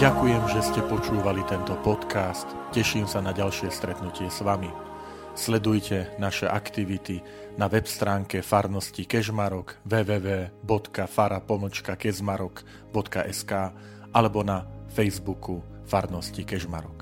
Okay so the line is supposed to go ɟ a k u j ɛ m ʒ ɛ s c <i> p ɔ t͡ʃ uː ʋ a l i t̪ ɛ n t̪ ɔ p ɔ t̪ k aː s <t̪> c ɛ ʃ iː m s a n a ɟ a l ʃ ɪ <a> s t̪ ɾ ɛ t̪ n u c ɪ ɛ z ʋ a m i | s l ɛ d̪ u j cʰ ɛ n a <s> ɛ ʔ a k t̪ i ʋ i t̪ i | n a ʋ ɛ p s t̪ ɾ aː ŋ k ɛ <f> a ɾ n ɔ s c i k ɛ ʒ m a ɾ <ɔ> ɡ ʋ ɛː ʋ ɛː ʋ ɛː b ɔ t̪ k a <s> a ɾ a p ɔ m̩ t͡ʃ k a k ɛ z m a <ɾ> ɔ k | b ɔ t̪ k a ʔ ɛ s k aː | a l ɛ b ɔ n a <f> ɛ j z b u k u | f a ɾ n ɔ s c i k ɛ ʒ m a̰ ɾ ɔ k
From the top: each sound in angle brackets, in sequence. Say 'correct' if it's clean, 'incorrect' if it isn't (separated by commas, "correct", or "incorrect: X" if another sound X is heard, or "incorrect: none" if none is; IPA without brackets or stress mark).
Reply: incorrect: ɛ, correct, incorrect: ɛ, incorrect: ʃ, correct, correct, incorrect: f, correct, correct